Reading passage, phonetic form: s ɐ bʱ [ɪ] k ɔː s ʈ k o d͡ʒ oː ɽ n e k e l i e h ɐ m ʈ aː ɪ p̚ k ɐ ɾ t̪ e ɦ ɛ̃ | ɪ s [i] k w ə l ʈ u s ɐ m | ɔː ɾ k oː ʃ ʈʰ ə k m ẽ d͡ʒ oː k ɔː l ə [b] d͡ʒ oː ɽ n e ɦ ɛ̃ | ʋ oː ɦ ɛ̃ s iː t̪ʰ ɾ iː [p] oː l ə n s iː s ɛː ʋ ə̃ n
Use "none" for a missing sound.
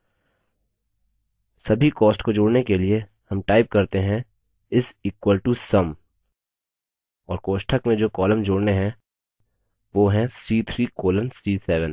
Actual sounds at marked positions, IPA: i, iː, m, k

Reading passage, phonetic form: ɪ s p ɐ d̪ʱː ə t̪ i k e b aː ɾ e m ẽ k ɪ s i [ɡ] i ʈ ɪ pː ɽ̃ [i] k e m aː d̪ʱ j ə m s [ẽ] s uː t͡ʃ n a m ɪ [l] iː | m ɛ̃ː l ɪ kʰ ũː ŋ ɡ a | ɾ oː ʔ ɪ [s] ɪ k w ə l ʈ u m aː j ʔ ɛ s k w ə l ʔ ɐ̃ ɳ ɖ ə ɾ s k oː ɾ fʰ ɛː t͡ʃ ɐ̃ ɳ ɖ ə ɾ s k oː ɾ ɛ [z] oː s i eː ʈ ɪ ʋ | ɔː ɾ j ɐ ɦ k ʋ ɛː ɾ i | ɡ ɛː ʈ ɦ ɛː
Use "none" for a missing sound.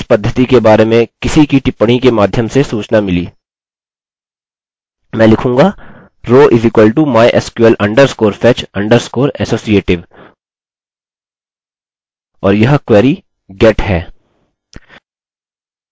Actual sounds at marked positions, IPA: k, i, e, l, z, s

